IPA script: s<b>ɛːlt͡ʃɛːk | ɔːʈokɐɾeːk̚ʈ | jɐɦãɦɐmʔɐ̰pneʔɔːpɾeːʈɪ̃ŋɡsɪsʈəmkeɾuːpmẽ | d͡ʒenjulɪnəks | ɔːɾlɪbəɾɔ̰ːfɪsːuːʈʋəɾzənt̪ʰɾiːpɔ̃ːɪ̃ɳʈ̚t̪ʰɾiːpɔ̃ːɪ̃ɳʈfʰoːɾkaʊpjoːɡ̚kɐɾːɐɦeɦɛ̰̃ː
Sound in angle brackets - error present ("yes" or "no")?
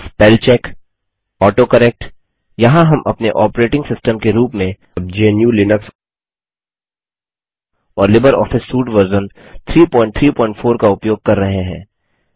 yes